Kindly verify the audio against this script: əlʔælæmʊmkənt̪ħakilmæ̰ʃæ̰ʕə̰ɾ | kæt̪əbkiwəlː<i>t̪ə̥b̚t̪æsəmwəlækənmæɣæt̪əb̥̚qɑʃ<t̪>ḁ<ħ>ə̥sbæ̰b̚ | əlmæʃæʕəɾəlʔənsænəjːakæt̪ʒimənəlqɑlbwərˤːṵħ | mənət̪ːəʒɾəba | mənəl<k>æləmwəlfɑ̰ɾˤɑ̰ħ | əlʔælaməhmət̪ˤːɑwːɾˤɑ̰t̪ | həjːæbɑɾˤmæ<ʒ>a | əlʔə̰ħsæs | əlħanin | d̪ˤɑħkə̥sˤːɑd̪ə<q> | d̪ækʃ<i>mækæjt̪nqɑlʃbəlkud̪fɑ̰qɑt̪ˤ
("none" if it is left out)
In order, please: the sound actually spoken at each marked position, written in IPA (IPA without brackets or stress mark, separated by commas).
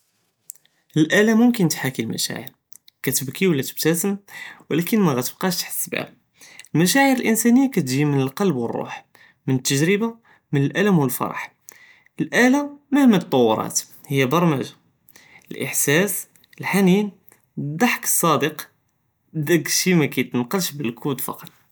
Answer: æ, t̪, ħ, ʔ, ʒ, q, i